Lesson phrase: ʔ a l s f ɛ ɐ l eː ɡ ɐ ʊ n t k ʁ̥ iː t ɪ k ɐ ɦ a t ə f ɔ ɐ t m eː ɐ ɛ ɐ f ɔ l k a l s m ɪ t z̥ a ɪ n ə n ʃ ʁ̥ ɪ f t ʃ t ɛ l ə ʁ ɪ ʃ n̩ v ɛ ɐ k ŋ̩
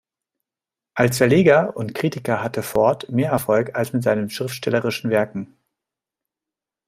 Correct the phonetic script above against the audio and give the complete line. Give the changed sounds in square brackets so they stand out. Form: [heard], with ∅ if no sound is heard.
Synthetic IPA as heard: ʔ a l s f ɛ ɐ l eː ɡ ɐ ʊ n t k ʁ̥ iː t ɪ k ɐ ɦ a t ə f ɔ ɐ t m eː ɐ ɛ ɐ f ɔ l k a l s m ɪ t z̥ a ɪ n ə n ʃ ʁ̥ ɪ f t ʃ t ɛ l ə ʁ ɪ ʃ n̩ v ɛ ɐ k ŋ̩